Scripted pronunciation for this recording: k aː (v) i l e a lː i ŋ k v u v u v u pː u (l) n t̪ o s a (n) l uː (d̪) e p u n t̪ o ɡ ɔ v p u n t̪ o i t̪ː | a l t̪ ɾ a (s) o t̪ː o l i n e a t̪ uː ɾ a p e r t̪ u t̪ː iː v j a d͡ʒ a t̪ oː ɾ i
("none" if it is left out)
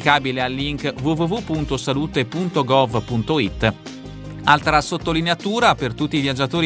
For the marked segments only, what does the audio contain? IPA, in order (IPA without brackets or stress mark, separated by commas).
b, none, none, t̪, s